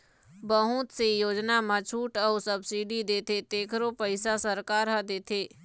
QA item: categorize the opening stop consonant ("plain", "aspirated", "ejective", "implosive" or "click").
plain